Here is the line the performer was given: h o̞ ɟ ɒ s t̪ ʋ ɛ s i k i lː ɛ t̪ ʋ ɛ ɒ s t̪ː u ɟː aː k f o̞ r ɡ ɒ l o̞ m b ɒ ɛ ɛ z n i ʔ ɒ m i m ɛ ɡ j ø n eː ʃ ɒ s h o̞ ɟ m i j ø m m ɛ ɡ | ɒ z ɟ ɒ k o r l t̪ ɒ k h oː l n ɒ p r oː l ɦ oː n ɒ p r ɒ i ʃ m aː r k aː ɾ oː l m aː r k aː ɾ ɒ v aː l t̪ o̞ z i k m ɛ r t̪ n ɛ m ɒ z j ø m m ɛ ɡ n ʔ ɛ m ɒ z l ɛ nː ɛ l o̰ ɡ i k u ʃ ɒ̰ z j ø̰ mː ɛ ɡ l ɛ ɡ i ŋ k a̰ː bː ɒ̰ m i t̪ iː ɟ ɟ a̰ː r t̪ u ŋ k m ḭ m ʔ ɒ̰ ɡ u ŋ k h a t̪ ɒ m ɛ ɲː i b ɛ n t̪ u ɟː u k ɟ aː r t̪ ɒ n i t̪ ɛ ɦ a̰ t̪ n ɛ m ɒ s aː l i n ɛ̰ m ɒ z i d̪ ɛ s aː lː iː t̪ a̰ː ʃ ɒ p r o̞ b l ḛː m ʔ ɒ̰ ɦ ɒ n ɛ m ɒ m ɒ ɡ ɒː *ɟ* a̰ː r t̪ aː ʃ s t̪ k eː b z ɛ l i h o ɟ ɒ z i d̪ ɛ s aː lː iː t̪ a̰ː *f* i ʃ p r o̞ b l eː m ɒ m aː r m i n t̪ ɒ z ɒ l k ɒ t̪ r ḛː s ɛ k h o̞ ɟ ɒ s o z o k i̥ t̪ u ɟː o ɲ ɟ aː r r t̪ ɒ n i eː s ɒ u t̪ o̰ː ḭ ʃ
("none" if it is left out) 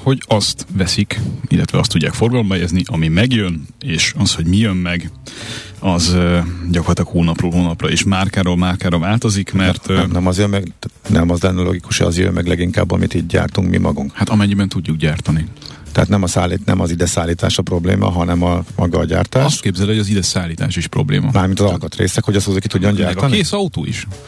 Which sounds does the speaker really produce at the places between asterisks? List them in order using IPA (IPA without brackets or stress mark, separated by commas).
ɟ, ʃ